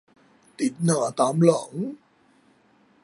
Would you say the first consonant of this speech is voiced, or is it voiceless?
voiceless